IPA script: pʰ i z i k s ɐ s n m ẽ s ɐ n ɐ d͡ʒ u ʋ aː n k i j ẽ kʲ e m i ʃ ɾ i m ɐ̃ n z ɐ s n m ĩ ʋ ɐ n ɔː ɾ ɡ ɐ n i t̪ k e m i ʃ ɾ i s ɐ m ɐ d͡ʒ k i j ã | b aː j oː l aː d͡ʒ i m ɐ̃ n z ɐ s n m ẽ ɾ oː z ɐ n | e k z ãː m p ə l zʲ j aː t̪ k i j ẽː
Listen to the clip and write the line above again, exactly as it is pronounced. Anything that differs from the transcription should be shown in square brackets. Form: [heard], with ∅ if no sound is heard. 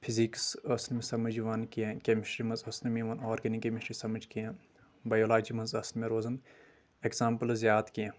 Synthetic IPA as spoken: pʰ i z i k s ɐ s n m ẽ s ɐ [m] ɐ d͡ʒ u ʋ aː n k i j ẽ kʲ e m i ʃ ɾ i m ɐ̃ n z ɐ s n m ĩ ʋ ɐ n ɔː ɾ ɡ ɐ n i [∅] k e m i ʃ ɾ i s ɐ m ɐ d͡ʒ k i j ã | b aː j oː l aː d͡ʒ i m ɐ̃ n z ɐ s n m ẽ ɾ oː z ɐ n | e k z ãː m p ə l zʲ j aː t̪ k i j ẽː

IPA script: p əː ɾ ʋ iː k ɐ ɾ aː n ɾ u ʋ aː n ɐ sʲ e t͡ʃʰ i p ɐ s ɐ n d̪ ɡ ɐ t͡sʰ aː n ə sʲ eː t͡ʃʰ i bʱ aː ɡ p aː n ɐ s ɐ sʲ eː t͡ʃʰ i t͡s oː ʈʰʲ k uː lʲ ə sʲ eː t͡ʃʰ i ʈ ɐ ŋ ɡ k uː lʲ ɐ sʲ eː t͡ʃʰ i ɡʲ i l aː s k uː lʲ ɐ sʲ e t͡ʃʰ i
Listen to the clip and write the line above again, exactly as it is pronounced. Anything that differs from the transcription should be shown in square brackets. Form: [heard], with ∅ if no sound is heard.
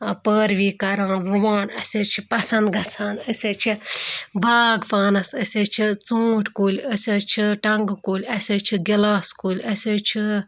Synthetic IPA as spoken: p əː ɾ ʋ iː k ɐ ɾ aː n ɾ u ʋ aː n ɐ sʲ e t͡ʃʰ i p ɐ s ɐ n d̪ ɡ ɐ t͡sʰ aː n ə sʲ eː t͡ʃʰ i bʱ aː ɡ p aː n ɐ s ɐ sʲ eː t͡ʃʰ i t͡s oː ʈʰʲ k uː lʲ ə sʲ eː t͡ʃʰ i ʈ ɐ ŋ ɡ k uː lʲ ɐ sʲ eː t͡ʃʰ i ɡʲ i l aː s k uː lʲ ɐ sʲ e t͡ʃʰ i

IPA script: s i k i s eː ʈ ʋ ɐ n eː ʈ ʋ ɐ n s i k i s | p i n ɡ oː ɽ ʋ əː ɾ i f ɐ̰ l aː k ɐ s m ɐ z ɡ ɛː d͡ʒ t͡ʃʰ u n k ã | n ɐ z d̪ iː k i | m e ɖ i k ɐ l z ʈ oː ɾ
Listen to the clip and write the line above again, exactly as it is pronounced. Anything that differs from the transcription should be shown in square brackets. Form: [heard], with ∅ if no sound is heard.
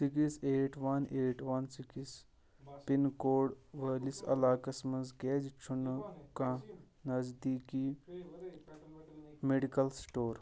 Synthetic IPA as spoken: s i k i s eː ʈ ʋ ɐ n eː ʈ ʋ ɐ n s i k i s | p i n [k] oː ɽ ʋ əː [l] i [s] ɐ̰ l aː k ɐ s m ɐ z ɡ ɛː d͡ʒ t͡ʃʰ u n k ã | n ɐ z d̪ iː k i | m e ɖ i k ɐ l [s] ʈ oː ɾ

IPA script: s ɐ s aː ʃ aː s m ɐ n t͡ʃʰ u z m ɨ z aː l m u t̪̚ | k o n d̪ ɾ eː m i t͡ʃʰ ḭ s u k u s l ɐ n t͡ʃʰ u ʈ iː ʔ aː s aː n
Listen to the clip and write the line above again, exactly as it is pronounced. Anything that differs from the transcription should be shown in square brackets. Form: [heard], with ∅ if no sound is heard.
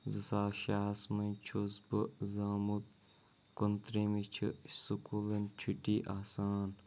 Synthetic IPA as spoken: [z] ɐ s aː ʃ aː s m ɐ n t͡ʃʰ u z [b] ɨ z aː [∅] m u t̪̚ | k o n [t̪] ɾ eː m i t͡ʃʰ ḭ s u k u [∅] l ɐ n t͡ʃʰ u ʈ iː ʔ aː s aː n

